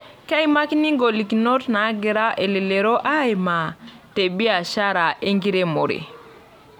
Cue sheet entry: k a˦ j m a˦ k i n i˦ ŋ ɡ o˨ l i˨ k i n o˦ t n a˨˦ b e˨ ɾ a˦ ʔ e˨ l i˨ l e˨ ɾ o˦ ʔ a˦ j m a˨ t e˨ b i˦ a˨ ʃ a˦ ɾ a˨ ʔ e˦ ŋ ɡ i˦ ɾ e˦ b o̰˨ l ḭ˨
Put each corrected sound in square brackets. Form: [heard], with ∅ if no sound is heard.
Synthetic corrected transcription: k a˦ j m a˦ k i n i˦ ŋ ɡ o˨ l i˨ k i n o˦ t n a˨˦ [ɡ] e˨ ɾ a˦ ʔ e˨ l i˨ l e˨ ɾ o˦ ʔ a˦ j m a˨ t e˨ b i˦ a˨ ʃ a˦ ɾ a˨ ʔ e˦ ŋ ɡ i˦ ɾ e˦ [m] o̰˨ [ɾ] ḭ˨